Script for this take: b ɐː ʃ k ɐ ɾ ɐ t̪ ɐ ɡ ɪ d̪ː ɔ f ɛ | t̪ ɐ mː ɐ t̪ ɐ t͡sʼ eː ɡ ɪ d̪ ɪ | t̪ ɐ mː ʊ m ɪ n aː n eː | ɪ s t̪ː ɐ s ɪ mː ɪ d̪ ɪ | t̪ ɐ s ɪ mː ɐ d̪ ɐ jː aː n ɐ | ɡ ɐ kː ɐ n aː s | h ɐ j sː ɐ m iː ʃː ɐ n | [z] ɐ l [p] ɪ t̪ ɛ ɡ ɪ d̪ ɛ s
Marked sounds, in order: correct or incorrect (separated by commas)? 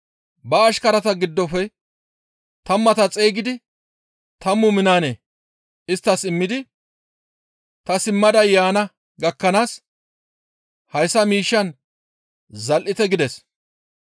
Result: correct, incorrect